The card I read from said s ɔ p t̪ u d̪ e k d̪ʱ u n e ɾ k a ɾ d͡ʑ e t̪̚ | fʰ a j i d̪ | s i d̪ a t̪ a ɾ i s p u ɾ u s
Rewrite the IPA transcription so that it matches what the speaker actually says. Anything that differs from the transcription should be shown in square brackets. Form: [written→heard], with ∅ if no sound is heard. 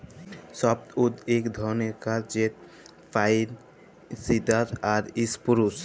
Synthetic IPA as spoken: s ɔ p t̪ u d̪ e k d̪ʱ [u→ɔ] n e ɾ k a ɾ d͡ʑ e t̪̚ | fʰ a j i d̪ | s i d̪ a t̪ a ɾ i s p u ɾ u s